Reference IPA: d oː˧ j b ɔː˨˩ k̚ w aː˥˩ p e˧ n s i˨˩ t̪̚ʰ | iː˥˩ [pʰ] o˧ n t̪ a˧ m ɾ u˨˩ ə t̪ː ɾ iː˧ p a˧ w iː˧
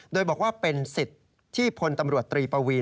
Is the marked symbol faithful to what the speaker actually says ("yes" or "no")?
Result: yes